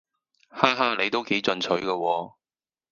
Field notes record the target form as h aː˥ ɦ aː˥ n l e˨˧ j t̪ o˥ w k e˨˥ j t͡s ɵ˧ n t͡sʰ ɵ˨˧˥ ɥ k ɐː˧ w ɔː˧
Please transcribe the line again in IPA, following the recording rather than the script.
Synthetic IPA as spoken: h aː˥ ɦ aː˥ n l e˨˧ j t̪ o˥ w k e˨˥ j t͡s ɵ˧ n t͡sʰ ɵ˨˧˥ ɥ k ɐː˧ w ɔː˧